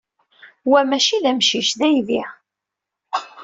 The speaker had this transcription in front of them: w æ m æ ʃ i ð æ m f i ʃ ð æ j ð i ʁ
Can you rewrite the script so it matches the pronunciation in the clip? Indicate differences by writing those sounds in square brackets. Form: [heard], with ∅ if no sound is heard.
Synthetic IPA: w æ m æ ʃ i ð æ m [ʃ] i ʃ ð æ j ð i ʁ